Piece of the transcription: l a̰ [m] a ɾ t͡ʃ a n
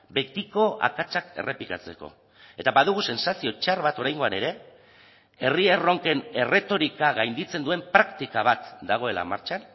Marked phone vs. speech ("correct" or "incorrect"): correct